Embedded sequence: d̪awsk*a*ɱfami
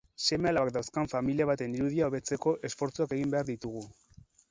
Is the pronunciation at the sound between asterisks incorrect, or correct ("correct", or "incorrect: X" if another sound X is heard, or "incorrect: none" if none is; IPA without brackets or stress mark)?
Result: correct